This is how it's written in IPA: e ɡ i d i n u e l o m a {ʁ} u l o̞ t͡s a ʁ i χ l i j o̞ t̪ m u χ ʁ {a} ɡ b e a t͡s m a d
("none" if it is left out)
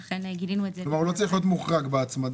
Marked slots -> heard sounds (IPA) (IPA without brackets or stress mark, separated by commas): ʁ, a